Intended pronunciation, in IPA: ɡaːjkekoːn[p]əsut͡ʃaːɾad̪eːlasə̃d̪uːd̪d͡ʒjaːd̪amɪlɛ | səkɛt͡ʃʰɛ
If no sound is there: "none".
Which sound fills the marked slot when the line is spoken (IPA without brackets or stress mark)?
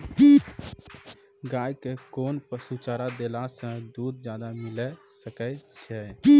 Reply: p